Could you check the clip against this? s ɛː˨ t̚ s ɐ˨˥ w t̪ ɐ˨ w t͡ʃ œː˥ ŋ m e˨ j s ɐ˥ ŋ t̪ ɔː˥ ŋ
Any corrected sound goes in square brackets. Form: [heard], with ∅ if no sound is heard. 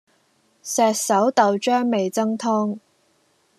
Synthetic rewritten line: s ɛː˨ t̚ s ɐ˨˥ w t̪ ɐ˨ w t͡ʃ œː˥ ŋ m e˨ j [t͡s] ɐ˥ ŋ [t̪ʰ] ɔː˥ ŋ